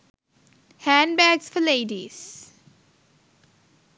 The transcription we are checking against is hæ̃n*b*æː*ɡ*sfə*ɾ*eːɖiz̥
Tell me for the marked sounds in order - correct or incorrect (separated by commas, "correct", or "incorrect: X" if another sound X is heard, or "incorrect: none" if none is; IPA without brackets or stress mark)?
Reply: correct, correct, incorrect: l